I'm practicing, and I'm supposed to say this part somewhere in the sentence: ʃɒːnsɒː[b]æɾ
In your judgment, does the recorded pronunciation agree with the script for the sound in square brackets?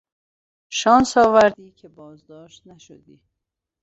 no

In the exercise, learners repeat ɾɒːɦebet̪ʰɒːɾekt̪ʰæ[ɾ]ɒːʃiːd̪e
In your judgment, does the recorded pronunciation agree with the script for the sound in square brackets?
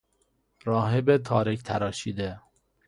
yes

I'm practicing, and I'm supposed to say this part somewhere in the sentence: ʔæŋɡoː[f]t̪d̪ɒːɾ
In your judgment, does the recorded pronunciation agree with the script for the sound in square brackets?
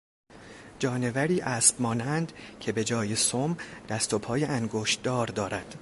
no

